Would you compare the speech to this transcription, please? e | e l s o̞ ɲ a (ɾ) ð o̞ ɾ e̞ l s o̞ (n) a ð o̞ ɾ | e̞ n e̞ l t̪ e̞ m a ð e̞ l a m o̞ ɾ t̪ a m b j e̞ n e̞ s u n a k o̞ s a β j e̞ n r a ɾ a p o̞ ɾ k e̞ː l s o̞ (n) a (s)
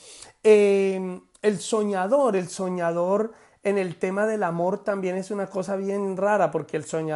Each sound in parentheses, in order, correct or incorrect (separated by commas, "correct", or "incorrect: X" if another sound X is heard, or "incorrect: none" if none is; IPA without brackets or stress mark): incorrect: none, incorrect: ɲ, incorrect: ɲ, incorrect: none